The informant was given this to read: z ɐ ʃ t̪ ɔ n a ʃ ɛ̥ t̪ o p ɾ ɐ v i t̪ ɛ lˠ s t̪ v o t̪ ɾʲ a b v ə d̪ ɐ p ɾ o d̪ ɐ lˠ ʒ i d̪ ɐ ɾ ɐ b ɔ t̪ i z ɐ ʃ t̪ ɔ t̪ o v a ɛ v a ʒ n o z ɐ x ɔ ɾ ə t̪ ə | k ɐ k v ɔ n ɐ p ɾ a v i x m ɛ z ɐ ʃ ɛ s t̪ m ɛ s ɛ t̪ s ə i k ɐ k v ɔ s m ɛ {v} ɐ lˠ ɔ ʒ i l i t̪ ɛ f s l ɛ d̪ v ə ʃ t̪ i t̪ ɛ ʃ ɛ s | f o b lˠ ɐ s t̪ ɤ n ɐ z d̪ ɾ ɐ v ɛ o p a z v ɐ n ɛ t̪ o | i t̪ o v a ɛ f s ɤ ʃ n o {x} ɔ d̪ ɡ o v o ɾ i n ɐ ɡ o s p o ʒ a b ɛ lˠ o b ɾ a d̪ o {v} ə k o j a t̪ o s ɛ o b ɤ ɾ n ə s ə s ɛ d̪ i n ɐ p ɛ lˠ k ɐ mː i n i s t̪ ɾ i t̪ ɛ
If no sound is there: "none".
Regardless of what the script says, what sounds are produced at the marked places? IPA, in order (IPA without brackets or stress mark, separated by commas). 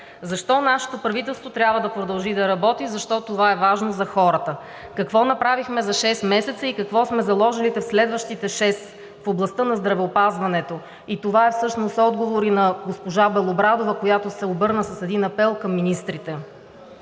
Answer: z, s, v